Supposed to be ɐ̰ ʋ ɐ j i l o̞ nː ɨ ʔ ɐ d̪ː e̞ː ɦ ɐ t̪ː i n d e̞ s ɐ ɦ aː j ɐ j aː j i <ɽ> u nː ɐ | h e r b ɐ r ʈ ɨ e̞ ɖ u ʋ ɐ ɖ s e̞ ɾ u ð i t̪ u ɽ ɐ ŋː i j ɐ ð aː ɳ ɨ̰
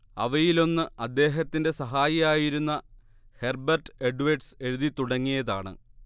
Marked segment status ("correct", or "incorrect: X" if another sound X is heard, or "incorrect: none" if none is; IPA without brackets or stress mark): incorrect: ɾ